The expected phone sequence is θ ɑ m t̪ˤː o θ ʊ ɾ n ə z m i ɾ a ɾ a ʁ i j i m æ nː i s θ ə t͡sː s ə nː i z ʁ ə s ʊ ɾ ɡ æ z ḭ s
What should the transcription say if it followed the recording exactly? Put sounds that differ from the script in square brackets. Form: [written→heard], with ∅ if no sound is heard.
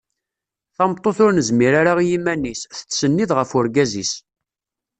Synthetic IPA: θ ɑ m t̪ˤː o θ ʊ ɾ n ə z m i ɾ a ɾ a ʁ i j i m æ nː i s θ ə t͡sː s ə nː i [z→ð] ʁ ə [s→f] ʊ ɾ ɡ æ z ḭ s

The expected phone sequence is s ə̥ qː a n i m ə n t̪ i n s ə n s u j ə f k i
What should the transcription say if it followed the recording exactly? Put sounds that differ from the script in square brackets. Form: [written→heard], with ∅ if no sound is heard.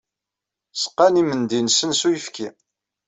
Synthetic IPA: s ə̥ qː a n i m ə n [t̪→d̪] i n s ə n s u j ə f k i

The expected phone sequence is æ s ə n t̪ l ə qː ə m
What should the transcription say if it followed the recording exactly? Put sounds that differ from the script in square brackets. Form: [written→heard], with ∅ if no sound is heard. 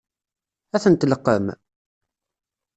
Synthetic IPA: æ [s→θ] ə n t̪ l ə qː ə m

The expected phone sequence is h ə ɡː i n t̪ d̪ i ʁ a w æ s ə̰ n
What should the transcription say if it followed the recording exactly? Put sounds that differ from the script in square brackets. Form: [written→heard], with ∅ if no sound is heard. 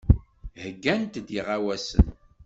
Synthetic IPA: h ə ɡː [i→æ] n t̪ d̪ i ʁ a w æ s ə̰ n

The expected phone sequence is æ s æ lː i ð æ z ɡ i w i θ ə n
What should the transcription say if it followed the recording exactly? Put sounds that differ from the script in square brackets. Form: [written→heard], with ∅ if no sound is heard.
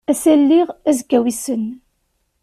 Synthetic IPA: æ s æ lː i [ð→ʁ] æ z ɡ [i→æ] w i [θ→s] ə n

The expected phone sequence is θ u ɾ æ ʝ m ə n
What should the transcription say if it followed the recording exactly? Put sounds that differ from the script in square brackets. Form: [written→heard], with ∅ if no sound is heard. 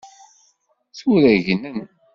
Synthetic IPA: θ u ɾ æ ʝ [m→n] ə n

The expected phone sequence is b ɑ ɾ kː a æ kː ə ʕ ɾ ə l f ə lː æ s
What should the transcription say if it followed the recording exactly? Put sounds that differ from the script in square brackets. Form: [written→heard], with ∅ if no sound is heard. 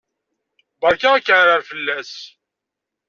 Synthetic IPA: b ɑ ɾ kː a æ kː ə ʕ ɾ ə [l→ɾ] f ə lː æ s

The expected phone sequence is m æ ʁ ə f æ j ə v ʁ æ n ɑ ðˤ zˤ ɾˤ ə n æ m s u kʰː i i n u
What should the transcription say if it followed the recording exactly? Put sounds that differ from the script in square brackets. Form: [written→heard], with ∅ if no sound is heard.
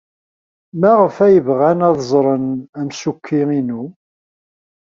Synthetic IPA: m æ ʁ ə f æ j ə v ʁ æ n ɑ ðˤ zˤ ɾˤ ə n æ m s u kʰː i i n u

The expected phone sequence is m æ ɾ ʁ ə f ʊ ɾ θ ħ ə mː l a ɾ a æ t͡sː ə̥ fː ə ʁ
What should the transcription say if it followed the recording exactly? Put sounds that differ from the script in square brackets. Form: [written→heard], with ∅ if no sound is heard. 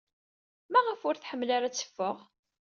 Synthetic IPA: m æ [ɾ→∅] ʁ ə f ʊ ɾ θ ħ ə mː l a ɾ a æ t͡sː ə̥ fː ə ʁ

